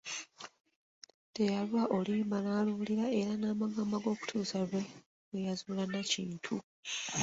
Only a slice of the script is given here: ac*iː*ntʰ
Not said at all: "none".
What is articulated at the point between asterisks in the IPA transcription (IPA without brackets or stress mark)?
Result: iː